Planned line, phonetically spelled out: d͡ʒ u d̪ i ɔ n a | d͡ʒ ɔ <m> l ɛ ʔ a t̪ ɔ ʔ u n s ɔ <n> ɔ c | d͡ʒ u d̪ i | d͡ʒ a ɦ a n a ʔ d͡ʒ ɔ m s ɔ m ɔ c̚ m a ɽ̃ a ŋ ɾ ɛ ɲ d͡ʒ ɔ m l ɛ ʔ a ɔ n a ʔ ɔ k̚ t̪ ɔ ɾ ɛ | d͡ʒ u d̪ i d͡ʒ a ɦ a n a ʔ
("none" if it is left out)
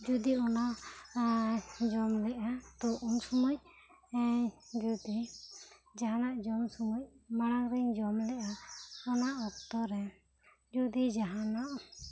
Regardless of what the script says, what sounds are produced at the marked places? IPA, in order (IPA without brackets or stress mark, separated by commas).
m, m